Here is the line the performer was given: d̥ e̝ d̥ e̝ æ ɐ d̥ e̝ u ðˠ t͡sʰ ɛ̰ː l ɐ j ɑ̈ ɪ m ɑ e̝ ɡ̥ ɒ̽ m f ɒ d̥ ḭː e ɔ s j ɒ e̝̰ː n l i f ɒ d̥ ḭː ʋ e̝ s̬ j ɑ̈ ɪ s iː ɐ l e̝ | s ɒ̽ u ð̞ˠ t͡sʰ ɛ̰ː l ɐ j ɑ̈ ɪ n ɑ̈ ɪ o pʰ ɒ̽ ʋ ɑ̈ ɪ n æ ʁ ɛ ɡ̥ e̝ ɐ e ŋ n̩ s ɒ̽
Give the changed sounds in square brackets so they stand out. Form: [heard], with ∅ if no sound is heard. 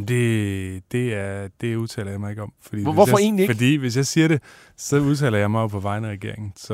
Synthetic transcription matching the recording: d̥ e̝ d̥ e̝ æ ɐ d̥ e̝ u ðˠ t͡sʰ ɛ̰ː l ɐ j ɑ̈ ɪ m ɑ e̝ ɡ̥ ɒ̽ m f ɒ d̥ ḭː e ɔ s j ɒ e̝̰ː n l i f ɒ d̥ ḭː ʋ e̝ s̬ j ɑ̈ ɪ s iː ɐ [ɾ] e̝ | s ɒ̽ u ð̞ˠ t͡sʰ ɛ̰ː l ɐ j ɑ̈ ɪ [m] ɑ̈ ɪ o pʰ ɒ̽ ʋ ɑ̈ ɪ n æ ʁ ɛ ɡ̥ e̝ ɐ e ŋ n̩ s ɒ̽